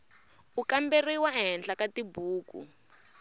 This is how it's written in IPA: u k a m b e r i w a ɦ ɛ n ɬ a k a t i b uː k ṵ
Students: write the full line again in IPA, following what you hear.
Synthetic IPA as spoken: u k a m b e r i w a ɦ ɛ n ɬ a k a t i b uː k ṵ